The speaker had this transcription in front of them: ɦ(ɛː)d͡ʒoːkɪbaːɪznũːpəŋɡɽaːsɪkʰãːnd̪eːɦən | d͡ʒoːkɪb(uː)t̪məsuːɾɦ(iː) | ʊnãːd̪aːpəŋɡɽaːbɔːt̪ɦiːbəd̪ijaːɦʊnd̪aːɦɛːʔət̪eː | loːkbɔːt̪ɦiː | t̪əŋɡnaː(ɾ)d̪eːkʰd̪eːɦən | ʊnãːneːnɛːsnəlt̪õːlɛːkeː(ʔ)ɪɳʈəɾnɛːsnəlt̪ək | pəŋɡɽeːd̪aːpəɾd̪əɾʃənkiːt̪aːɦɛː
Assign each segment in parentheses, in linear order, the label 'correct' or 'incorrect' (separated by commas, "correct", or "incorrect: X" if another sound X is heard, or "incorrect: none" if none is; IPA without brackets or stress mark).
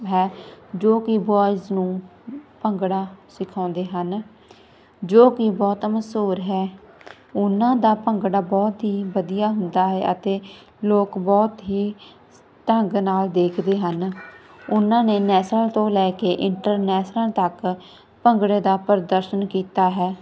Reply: correct, incorrect: ɔː, incorrect: ɛː, incorrect: l, correct